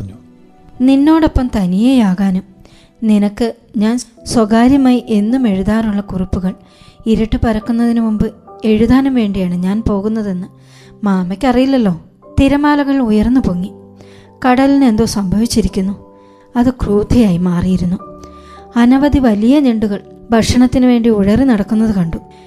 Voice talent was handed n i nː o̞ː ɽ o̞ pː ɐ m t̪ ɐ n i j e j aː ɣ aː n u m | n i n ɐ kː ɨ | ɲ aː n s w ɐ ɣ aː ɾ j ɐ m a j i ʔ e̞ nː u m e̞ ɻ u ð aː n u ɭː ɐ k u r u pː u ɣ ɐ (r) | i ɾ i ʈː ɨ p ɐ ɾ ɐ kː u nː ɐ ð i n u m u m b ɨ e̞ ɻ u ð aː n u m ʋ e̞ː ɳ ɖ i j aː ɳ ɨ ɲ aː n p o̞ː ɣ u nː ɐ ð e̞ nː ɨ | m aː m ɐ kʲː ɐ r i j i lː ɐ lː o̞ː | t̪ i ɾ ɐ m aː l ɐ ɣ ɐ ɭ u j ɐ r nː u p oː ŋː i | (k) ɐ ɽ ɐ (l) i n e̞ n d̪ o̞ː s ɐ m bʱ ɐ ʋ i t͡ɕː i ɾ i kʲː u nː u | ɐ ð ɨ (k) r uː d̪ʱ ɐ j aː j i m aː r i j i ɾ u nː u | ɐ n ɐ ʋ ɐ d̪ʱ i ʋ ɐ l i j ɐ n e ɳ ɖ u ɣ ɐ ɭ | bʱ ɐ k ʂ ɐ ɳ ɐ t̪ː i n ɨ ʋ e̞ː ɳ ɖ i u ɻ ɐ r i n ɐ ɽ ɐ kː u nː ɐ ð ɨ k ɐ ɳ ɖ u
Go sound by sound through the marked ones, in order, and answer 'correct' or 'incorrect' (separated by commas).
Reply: incorrect, correct, correct, correct